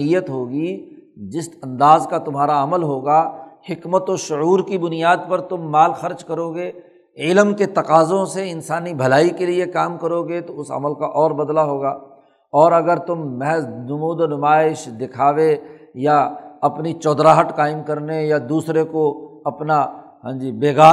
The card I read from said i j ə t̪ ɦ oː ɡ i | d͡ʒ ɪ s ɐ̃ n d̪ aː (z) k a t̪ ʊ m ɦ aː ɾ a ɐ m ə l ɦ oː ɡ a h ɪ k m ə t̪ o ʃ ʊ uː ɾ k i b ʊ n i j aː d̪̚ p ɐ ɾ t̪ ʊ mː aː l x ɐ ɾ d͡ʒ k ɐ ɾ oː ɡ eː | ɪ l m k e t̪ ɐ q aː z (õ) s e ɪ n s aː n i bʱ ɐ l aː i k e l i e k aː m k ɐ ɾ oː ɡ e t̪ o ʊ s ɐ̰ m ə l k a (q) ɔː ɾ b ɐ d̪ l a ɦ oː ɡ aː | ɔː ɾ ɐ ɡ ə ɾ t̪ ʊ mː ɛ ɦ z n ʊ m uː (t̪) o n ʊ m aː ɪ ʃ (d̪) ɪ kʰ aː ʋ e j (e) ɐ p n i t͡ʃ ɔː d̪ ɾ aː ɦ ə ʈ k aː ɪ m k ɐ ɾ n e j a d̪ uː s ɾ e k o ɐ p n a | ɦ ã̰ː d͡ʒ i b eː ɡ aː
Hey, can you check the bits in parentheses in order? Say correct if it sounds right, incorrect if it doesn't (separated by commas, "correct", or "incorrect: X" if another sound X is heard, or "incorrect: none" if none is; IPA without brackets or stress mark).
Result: correct, correct, incorrect: ʔ, incorrect: d̪, correct, incorrect: a